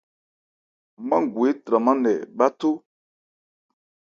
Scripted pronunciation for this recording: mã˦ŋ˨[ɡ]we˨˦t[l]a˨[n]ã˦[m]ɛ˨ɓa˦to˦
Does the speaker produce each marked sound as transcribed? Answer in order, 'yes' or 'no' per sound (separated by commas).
yes, no, no, no